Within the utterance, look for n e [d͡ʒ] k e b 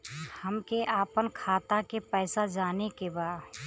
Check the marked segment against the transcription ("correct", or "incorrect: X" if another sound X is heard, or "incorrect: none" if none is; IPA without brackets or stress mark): incorrect: none